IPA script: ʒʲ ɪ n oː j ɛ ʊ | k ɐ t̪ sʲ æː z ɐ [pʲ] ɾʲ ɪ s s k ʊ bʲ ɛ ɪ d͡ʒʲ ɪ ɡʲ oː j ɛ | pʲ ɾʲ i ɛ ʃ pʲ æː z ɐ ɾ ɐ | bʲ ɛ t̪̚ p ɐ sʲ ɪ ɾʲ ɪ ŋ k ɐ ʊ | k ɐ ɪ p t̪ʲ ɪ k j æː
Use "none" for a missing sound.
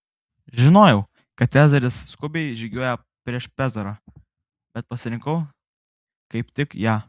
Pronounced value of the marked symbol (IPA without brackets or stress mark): none